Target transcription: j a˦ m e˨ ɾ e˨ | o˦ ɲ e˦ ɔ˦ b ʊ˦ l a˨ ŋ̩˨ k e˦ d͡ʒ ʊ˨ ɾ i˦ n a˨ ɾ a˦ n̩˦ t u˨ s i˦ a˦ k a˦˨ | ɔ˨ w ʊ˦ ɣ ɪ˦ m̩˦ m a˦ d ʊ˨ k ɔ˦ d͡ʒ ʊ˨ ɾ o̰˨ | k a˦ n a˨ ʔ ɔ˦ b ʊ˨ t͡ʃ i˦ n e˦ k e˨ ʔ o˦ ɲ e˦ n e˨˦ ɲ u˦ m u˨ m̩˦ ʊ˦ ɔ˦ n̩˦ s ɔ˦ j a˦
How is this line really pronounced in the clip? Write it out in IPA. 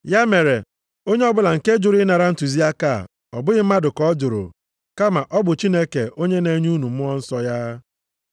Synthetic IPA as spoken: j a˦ m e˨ ɾ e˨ | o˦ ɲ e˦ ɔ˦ b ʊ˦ l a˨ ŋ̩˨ k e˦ d͡ʒ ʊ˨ ɾ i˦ n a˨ ɾ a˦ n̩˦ t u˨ z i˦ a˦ k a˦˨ | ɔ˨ b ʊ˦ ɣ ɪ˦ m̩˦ m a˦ d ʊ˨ k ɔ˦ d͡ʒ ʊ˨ ɾ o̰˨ | k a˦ m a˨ ʔ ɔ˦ b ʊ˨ t͡ʃ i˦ n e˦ k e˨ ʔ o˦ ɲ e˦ n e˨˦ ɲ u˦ n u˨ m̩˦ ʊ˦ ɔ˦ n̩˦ s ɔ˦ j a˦